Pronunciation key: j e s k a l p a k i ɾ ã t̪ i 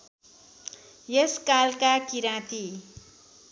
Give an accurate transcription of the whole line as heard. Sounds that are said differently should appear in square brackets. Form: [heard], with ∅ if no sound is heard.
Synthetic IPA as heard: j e s k a l [k] a k i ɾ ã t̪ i